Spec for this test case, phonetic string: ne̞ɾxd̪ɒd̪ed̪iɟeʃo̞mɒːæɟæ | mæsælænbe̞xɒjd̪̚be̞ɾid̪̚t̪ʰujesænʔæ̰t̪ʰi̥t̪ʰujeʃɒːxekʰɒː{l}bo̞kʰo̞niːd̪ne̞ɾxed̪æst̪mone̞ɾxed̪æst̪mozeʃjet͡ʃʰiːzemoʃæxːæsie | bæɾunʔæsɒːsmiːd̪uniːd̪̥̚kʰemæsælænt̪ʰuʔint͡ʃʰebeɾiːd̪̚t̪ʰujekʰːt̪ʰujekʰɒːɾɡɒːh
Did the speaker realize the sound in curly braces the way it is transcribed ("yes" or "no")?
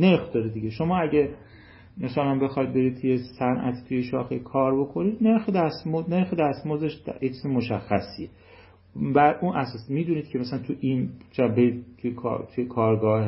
no